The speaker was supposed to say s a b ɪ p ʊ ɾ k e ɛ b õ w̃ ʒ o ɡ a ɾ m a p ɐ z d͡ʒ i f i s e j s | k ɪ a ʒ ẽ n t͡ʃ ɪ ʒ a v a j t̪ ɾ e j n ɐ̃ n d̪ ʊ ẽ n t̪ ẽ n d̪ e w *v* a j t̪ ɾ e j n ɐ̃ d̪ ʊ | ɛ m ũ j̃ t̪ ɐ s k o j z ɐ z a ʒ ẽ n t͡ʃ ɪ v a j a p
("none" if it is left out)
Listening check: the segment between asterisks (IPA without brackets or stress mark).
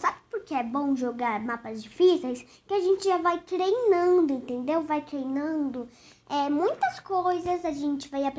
v